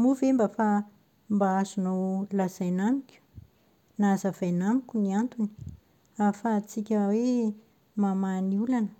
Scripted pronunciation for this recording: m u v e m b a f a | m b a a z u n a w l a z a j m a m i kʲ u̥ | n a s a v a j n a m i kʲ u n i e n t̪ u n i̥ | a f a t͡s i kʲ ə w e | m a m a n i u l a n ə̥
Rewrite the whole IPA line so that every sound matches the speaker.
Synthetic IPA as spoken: m u v e m b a f a | m b a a z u n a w l a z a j n a m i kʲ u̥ | n a z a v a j n a m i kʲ u n i a n t̪ u n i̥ | a f a t͡s i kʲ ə w e | m a m a n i u l a n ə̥

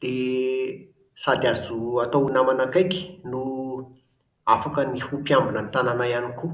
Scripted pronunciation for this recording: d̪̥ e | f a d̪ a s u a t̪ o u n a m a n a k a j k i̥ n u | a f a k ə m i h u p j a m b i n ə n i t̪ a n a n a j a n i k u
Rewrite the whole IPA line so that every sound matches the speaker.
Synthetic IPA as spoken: d̪̥ e | s a d̪ a z u a t̪ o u n a m a n a k a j k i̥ n u | a f a k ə n i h u p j a m b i n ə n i t̪ a n a n a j a n i k u

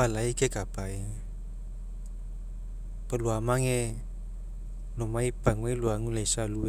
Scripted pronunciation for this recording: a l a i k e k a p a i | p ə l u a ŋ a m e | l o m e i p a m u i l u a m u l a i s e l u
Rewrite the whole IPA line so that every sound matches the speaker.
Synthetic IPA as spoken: a l a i k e k a p a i | p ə l u a m a ŋ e | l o m a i p a ŋ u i l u a ŋ u l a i s a l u

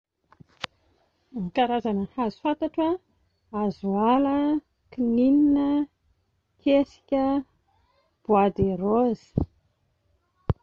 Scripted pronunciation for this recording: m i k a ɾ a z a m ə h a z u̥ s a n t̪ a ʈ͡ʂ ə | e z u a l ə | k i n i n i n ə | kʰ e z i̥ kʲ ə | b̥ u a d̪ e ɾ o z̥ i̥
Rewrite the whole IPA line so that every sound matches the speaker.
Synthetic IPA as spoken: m i k a ɾ a z a n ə h a z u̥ f a n t̪ a ʈ͡ʂ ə | a z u a l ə | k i n i n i n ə | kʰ e s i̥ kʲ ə | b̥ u a d̪ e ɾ o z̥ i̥

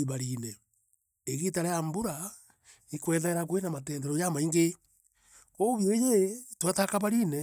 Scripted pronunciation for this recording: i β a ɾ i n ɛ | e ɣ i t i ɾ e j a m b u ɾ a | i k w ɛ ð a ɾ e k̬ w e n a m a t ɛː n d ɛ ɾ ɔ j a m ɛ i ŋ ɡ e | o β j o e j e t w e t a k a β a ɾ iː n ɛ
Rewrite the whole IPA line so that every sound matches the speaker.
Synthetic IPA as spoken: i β a ɾ i n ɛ | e ɣ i t a ɾ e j a m b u ɾ a | i k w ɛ ð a ɾ a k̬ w e n a m a t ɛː n d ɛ ɾ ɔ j a m a i ŋ ɡ e | o β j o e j e t w a t a k a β a ɾ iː n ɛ

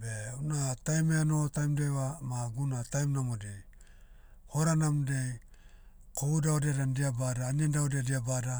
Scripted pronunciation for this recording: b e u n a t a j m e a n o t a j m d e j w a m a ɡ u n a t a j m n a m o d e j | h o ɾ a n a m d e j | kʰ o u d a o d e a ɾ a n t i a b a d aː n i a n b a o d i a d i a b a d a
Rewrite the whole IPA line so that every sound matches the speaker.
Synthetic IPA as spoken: b e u n a t a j m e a n o t a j m d e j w a m a ɡ u n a t a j m n a m o d e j | h o ɾ a n a m d e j | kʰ o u d a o d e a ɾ a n d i a b a d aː n i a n d a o d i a d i a b a d a

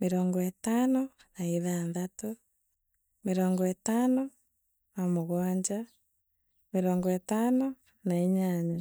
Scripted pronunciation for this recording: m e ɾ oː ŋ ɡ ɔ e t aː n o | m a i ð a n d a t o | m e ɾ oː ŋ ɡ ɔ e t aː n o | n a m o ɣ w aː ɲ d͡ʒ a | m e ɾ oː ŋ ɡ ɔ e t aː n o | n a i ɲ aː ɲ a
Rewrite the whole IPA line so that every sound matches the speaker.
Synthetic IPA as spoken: m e ɾ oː ŋ ɡ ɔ e t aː n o | n a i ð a n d a t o | m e ɾ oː ŋ ɡ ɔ e t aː n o | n a m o ɣ w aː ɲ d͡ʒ a | m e ɾ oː ŋ ɡ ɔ e t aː n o | n a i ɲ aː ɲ a

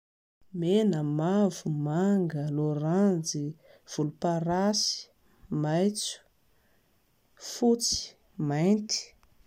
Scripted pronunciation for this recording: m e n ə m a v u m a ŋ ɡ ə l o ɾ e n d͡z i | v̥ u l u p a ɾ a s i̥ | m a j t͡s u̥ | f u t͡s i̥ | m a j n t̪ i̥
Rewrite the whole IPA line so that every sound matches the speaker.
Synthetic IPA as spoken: m e n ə m a v u m a ŋ ɡ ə l o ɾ a n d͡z i | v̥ u l u p a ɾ a s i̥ | m a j t͡s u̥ | f u t͡s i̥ | m a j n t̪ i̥

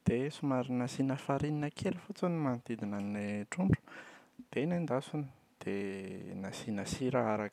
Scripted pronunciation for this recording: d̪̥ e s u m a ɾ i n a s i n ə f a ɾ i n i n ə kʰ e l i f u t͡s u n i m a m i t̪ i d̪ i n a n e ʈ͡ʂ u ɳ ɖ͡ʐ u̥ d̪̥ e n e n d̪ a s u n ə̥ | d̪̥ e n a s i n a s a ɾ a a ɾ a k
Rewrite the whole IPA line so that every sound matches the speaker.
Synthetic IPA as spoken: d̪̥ e s u m a ɾ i n a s i n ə f a ɾ i n i n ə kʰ e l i f u t͡s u n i m a n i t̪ i d̪ i n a n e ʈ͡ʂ u ɳ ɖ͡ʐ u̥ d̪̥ e n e n d̪ a s u n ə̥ | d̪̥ e n a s i n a s i ɾ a a ɾ a k

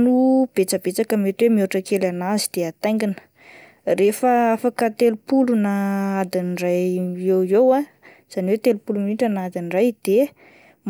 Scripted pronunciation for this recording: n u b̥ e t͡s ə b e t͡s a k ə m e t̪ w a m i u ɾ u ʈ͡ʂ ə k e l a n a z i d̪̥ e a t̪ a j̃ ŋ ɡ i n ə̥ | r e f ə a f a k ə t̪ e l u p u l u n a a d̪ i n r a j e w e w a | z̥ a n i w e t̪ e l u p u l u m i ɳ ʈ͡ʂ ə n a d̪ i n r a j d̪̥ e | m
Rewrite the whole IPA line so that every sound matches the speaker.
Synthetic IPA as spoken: n u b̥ e t͡s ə b e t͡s a k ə m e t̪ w e m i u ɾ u ʈ͡ʂ ə k e l a n a z i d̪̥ e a t̪ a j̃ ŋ ɡ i n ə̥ | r e f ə a f a k ə t̪ e l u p u l u n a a d̪ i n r a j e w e w a | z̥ a n i w e t̪ e l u p u l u m i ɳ ʈ͡ʂ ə n a d̪ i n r a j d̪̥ e | m

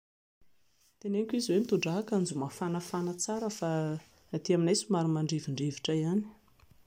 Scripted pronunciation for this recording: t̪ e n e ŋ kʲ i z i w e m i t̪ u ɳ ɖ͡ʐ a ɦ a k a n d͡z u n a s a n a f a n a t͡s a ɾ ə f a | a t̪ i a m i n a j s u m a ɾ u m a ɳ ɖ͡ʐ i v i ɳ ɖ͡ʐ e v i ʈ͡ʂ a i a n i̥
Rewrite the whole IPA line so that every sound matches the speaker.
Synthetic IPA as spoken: t̪ e n e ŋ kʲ i z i w e m i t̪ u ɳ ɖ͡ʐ a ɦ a k a n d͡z u m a f a n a f a n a t͡s a ɾ ə f a | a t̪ i a m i n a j s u m a ɾ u m a ɳ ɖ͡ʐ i v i ɳ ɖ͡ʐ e v i ʈ͡ʂ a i a n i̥

